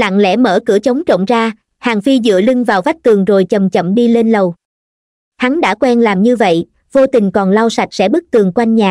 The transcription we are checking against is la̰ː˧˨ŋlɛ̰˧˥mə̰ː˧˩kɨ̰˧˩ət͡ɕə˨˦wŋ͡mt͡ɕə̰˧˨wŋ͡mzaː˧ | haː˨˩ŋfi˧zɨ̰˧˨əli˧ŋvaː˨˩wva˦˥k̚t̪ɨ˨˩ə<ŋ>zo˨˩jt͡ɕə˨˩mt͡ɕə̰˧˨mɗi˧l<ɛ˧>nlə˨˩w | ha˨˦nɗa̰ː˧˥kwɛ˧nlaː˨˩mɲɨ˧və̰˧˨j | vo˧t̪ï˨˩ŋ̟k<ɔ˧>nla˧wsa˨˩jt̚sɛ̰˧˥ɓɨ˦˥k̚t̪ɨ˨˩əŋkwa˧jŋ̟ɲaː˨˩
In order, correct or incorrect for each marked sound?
correct, incorrect, incorrect

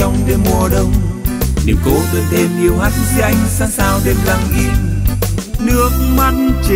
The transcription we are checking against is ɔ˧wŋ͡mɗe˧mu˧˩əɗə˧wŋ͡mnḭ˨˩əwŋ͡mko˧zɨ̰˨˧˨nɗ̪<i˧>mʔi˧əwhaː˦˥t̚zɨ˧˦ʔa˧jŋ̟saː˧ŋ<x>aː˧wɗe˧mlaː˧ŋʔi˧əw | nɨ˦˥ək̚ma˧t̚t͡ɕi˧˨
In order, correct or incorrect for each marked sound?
incorrect, incorrect

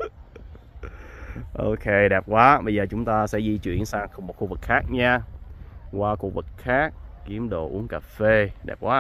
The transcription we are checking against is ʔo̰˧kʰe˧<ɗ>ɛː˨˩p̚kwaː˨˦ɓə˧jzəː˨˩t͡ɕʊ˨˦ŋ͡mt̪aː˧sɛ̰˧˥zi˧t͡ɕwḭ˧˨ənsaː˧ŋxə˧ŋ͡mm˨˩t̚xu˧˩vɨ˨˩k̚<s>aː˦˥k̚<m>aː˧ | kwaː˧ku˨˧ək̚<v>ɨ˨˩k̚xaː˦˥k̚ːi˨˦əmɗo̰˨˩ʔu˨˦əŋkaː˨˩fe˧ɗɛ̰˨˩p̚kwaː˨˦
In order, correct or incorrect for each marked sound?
correct, incorrect, incorrect, correct

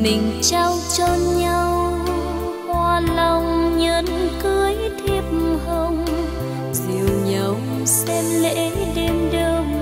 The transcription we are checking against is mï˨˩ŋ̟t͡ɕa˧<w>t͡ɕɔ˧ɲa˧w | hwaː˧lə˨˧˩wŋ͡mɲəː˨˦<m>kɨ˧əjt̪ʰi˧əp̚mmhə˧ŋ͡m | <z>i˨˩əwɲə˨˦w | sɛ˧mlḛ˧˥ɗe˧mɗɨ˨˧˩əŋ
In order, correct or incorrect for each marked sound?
correct, incorrect, correct

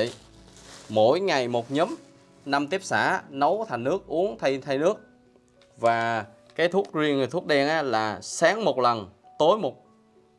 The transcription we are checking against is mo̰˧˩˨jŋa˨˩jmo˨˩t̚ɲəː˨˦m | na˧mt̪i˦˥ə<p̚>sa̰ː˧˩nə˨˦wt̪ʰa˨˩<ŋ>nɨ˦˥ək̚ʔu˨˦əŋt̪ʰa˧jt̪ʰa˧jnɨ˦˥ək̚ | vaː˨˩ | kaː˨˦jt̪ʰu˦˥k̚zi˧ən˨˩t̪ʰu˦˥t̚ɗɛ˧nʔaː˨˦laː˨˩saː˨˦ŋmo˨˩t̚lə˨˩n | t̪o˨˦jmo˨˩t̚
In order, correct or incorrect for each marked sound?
correct, correct

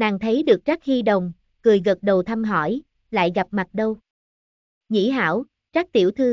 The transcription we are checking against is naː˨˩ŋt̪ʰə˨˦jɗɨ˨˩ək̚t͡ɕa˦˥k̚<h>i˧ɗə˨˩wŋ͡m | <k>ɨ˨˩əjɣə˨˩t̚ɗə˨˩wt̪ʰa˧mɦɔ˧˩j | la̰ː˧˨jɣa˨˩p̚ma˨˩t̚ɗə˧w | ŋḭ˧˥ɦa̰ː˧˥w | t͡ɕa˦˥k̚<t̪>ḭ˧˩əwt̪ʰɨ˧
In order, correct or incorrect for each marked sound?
correct, correct, correct

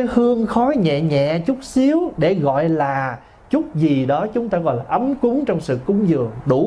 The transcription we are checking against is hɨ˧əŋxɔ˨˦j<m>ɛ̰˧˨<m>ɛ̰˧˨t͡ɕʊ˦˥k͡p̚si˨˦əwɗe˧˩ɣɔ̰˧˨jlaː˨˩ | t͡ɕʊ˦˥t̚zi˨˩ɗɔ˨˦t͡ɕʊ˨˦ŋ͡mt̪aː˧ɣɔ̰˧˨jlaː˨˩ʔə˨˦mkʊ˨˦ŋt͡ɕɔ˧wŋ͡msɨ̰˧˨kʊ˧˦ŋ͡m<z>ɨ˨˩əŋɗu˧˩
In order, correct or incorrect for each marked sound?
incorrect, incorrect, correct

